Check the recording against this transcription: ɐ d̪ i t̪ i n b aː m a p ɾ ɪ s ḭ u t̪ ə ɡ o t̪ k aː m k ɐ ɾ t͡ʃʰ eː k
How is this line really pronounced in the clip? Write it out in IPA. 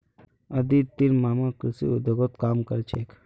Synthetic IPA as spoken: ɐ d̪ i t̪ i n m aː m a k ɾ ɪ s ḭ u d̪ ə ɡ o t̪ k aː m k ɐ ɾ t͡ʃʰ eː k